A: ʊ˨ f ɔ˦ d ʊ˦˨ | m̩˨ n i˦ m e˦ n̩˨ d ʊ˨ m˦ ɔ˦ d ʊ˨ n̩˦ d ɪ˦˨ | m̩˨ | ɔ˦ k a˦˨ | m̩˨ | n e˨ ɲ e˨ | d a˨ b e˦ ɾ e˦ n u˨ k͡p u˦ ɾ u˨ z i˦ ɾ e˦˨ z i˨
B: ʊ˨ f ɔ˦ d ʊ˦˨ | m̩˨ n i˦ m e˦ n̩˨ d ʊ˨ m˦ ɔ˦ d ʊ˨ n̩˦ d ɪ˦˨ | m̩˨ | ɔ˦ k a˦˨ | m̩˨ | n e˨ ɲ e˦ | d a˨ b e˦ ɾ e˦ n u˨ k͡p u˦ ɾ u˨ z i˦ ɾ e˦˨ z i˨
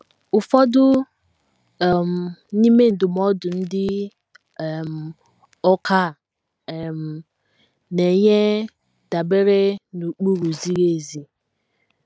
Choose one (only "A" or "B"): B